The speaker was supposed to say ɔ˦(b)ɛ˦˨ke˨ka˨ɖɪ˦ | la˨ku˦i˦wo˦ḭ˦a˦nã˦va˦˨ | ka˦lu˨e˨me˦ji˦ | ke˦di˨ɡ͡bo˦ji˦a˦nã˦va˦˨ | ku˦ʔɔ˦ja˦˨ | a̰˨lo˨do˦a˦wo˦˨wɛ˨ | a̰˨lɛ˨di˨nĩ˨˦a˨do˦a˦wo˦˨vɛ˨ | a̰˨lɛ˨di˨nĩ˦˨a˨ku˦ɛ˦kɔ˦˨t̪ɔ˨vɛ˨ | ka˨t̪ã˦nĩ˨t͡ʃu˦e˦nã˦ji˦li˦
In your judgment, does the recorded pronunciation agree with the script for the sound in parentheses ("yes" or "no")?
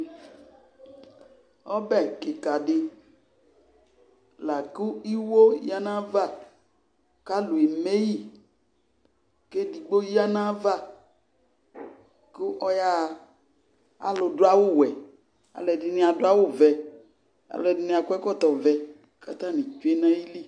yes